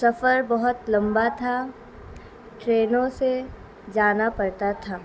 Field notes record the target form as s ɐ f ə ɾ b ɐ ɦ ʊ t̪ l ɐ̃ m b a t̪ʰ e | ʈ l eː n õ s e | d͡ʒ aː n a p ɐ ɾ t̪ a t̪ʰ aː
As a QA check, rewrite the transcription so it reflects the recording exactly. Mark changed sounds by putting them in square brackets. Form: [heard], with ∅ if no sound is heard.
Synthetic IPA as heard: s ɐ f ə ɾ b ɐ ɦ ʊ t̪ l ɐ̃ m b a t̪ʰ [a] | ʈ [ɾ] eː n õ s e | d͡ʒ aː n a p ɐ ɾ t̪ a t̪ʰ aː